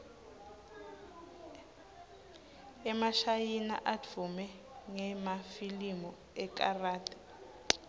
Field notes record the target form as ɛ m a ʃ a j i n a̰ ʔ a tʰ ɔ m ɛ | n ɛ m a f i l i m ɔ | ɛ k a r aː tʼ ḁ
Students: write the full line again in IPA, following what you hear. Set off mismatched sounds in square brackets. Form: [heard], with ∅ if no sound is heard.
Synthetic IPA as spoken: ɛ m a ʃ a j i n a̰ ʔ a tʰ [u] m ɛ | [ŋ] ɛ m a f i l i m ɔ | ɛ k a r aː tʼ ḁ